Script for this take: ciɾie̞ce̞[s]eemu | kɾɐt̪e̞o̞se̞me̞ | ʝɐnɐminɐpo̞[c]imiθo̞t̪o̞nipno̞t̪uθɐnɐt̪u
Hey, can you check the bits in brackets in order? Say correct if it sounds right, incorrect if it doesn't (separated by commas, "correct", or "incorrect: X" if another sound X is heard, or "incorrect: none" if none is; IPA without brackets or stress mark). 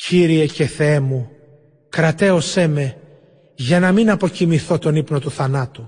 incorrect: θ, correct